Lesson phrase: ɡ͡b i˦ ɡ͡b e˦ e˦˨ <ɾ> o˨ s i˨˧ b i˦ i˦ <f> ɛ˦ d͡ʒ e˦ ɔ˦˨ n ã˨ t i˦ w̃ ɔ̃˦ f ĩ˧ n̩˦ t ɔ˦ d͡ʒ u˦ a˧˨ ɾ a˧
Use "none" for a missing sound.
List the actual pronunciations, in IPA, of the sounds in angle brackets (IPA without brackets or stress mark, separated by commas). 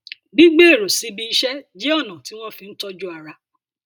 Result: ɾ, ʃ